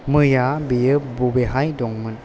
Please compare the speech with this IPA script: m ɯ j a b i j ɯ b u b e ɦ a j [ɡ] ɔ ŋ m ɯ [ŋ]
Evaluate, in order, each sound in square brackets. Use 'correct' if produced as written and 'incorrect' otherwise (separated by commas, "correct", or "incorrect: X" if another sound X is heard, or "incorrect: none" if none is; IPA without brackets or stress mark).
incorrect: d, incorrect: n